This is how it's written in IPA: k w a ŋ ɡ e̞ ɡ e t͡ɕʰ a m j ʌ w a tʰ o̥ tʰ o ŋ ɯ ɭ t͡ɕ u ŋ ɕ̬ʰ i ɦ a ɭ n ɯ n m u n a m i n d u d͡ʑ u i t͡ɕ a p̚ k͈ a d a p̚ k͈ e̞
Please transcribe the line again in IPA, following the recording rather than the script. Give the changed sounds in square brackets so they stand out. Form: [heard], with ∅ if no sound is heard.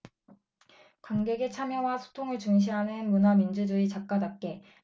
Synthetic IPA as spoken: k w a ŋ ɡ e̞ ɡ e t͡ɕʰ a m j ʌ w a [sʰ] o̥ tʰ o ŋ ɯ ɭ t͡ɕ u ŋ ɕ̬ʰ i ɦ a [∅] n ɯ n m u n a m i n [d͡ʑ] u d͡ʑ u i t͡ɕ a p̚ k͈ a d a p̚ k͈ e̞